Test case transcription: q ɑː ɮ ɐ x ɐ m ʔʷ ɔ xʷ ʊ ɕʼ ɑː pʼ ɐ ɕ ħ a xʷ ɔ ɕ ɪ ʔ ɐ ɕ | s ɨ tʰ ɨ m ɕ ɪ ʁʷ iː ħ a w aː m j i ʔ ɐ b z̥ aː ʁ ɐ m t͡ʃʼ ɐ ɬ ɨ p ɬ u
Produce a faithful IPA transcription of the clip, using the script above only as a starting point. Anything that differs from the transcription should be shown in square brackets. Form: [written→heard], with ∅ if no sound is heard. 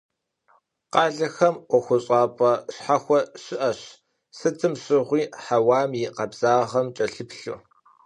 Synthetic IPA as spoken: q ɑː ɮ ɐ x ɐ m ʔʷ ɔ xʷ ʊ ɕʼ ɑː pʼ ɐ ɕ ħ a xʷ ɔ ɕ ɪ ʔ ɐ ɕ | s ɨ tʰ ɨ m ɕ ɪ ʁʷ iː ħ a w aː m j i [ʔ→q] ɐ b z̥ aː ʁ ɐ m t͡ʃʼ ɐ ɬ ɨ p ɬ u